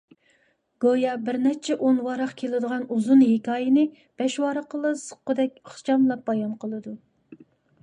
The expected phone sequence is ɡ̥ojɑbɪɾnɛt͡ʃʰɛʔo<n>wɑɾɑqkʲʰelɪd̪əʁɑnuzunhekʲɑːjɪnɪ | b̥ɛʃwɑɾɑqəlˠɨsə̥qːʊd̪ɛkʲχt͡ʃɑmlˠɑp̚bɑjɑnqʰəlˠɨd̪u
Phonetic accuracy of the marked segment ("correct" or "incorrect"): correct